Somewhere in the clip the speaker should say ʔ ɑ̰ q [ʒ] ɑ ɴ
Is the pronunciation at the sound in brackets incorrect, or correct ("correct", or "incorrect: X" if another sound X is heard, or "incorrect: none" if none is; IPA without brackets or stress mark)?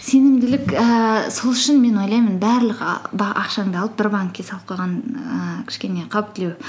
incorrect: ʃ